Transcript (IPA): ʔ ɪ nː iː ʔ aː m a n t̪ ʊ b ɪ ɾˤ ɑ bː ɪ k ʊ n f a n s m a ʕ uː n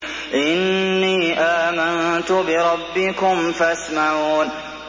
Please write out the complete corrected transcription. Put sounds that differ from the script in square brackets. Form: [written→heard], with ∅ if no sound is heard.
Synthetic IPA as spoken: ʔ ɪ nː iː ʔ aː m a n t̪ ʊ b ɪ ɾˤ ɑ bː ɪ k ʊ [n→m] f a [n→∅] s m a ʕ uː n